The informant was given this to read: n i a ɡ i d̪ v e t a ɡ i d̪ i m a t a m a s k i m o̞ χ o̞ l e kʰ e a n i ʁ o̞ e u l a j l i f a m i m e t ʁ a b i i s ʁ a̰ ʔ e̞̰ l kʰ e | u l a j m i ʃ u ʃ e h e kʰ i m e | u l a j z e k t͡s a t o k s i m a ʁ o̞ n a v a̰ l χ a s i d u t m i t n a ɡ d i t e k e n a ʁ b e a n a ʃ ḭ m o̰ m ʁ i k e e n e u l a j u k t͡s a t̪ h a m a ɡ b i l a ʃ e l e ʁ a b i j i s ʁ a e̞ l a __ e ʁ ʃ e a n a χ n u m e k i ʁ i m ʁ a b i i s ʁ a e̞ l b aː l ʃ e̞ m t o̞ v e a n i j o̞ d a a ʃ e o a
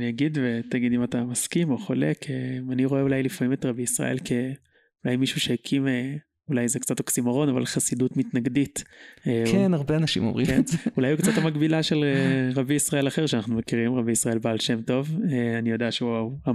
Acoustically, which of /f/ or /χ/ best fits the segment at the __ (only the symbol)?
χ